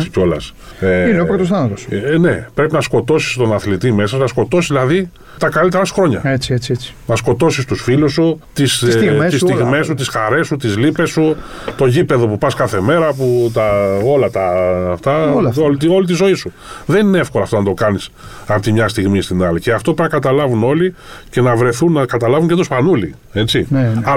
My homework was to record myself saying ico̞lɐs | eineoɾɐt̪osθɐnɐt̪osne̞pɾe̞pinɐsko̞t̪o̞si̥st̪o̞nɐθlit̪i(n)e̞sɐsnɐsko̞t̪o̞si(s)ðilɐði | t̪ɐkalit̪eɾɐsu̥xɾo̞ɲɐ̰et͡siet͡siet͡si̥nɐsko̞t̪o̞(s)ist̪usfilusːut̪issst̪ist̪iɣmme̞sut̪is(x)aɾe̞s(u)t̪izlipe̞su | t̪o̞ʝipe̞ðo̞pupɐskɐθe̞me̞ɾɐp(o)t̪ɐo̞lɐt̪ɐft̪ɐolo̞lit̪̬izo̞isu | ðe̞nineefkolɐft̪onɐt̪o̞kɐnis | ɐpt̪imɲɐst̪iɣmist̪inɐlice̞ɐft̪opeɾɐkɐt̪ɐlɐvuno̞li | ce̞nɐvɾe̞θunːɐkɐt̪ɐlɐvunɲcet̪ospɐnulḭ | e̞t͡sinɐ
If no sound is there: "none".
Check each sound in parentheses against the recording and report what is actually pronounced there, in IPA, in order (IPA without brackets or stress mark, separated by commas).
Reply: m, z, s, x, u, u